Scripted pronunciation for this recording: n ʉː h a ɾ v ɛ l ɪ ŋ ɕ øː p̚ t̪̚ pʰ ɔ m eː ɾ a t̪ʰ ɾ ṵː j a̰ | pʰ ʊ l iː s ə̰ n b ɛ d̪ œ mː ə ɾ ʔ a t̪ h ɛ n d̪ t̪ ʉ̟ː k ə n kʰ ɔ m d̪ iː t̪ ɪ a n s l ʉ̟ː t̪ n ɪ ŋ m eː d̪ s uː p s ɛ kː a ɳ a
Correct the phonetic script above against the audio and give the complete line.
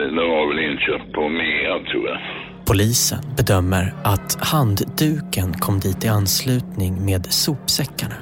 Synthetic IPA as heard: n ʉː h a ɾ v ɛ l ɪ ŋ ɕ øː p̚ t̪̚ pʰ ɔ m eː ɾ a t̪ʰ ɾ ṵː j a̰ | pʰ ʊ l iː s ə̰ n b ɛ d̪ œ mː ə ɾ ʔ a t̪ h a n d̪ d̪ ʉ̟ː k ə n kʰ ɔ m d̪ iː t̪ ɪ a n s l ʉ̟ː t̪ n ɪ ŋ m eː d̪ s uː p s ɛ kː a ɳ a